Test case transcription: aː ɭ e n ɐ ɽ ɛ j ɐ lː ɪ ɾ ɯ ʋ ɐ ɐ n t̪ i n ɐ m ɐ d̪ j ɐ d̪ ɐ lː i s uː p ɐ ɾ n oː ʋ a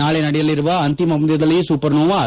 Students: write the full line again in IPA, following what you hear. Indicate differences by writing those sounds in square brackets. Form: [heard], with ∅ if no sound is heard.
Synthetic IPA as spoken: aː ɭ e n ɐ ɽ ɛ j ɐ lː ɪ ɾ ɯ ʋ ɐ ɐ n t̪ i [m] ɐ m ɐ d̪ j ɐ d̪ ɐ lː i s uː p ɐ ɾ n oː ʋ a

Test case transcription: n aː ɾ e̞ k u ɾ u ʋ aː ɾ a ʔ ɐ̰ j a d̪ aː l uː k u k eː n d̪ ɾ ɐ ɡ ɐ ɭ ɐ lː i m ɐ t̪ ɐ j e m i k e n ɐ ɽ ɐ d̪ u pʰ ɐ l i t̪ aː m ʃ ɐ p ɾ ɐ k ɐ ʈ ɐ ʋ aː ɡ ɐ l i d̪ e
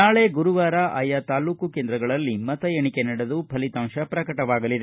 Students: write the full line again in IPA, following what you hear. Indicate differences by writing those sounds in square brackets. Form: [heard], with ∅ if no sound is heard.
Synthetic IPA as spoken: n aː [ɭ] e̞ [ɡ] u ɾ u ʋ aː ɾ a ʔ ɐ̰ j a [t̪] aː l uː k u k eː n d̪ ɾ ɐ ɡ ɐ ɭ ɐ lː i m ɐ t̪ ɐ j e [ɳ] i k e n ɐ ɽ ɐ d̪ u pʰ ɐ l i t̪ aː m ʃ ɐ p ɾ ɐ k ɐ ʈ ɐ ʋ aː ɡ ɐ l i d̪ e

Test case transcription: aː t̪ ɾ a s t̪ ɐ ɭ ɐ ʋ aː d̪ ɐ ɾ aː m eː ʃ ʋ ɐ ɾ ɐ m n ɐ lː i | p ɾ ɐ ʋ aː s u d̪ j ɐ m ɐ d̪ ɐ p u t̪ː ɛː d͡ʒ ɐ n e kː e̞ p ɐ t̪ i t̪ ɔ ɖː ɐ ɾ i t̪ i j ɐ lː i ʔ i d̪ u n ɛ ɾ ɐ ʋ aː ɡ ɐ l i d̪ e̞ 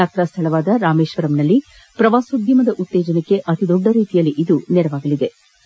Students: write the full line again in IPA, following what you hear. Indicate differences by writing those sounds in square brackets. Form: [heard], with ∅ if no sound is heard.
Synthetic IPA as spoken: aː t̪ ɾ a s [t̪ʰ] ɐ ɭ ɐ ʋ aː d̪ ɐ ɾ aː m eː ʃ ʋ ɐ ɾ ɐ m n ɐ lː i | p ɾ ɐ ʋ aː s u d̪ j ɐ m ɐ d̪ ɐ [ʔ] u t̪ː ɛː d͡ʒ ɐ n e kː e̞ [ʔ] ɐ t̪ i [d̪] ɔ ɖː ɐ ɾ [iː] t̪ i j ɐ lː i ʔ i d̪ u n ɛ ɾ ɐ ʋ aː ɡ ɐ l i d̪ e̞

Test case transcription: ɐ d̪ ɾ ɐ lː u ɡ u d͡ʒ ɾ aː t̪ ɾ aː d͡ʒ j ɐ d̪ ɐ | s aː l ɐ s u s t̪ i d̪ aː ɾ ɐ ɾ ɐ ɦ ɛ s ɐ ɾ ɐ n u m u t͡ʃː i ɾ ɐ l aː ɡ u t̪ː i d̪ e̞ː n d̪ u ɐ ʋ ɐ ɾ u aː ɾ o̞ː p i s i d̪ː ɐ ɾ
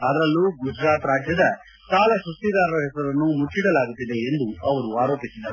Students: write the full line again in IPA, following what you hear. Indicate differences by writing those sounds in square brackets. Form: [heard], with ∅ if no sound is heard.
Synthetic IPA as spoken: ɐ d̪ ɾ ɐ lː u ɡ u d͡ʒ ɾ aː t̪ ɾ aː d͡ʒ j ɐ d̪ ɐ | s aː l ɐ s u s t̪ i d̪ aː ɾ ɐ ɾ ɐ ɦ ɛ s ɐ ɾ ɐ [nː] u m u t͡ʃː i [ɽ] ɐ l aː ɡ u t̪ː i d̪ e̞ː n d̪ u ɐ ʋ ɐ ɾ u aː ɾ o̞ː p i s i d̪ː ɐ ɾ

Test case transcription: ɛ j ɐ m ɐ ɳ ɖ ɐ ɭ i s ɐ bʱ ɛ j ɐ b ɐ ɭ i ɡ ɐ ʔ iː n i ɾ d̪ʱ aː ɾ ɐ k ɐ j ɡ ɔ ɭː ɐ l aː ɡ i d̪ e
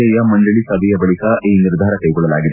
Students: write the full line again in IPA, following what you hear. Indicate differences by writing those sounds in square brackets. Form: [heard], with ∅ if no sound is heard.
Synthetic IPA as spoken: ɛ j ɐ m ɐ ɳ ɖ ɐ ɭ i s ɐ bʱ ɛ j ɐ b ɐ ɭ i [k] ɐ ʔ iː n i ɾ d̪ʱ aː ɾ ɐ k ɐ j ɡ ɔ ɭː ɐ l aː ɡ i d̪ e

